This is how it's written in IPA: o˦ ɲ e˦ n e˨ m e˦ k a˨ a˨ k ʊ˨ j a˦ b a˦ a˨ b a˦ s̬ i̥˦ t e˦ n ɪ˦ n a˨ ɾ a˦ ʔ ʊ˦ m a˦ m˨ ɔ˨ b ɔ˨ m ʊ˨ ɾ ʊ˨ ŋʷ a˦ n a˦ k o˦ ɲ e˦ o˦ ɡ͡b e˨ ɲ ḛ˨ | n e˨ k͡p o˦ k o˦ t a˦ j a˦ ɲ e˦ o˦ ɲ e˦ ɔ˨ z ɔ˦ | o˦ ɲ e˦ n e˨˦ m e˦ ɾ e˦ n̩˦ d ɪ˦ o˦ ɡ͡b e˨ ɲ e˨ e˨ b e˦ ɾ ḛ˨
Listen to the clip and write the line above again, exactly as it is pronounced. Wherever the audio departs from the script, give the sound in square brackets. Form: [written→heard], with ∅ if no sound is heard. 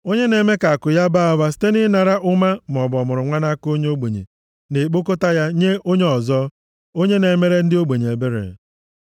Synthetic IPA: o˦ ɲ e˦ n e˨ m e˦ k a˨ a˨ k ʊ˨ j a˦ b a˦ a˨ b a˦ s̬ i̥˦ t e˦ n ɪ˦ n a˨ ɾ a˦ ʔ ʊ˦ m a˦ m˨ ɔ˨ b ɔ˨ m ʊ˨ ɾ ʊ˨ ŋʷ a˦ n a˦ k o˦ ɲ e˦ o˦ ɡ͡b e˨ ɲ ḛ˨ | n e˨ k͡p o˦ k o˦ t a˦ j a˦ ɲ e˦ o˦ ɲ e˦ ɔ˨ z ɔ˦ | o˦ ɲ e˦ n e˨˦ m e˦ ɾ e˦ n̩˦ d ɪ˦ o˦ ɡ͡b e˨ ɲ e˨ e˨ b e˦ ɾ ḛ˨